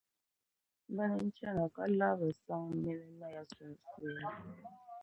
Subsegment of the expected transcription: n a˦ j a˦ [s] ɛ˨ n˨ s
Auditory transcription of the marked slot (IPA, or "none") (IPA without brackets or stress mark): s